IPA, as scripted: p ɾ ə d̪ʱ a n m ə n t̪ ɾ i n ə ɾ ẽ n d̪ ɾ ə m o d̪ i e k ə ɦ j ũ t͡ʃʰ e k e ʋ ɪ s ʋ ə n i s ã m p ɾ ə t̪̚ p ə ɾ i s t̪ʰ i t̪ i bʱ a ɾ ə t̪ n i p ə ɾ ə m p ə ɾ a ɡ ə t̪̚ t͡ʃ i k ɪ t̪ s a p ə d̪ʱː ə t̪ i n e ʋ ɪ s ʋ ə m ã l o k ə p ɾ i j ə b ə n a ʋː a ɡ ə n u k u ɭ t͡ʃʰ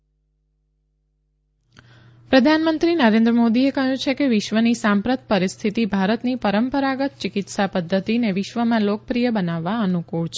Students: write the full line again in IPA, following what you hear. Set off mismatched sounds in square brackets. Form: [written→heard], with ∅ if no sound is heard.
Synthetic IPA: p ɾ ə d̪ʱ a n m ə n t̪ ɾ i n ə ɾ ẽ n d̪ ɾ ə m o d̪ i e k ə ɦ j ũ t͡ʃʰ e k e ʋ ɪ [s→ʃ] ʋ ə n i s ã m p ɾ ə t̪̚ p ə ɾ i s t̪ʰ i t̪ i bʱ a ɾ ə t̪ n i p ə ɾ ə m p ə ɾ a ɡ ə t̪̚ t͡ʃ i k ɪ t̪ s a p ə d̪ʱː ə t̪ i n e ʋ ɪ [s→ʃ] ʋ ə m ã l o k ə p ɾ i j ə b ə n a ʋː a [ɡ→∅] ə n u k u ɭ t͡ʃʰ